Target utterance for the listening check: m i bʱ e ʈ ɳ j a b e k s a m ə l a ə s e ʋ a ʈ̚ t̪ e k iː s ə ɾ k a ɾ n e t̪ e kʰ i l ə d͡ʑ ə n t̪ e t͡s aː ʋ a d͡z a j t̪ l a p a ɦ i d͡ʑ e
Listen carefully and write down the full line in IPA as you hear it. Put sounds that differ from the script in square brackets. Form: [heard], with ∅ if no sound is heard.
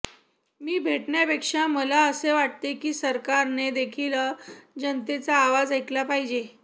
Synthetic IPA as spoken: m [iː] bʱ e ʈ ɳ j a [p] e k [ʂ] a m ə l a ə s e ʋ a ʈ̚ t̪ e k iː s ə ɾ k a ɾ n e [d̪] e kʰ i l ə d͡ʑ ə n t̪ e t͡s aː ʋ a d͡z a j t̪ l a p a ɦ i d͡ʑ e